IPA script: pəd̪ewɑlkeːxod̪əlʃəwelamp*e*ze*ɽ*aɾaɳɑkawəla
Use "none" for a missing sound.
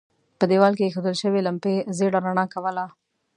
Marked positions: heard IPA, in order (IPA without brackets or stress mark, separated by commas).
e, ɽ